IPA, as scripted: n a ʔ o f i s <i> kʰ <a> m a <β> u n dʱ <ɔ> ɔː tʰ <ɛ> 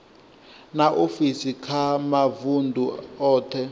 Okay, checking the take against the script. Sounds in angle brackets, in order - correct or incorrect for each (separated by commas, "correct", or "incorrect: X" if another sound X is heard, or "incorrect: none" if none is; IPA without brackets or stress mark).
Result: correct, correct, incorrect: v, incorrect: u, correct